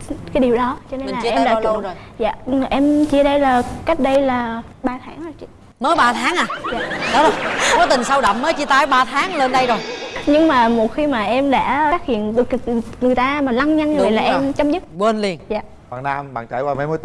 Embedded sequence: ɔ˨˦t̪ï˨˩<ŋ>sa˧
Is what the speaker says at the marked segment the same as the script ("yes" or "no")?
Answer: yes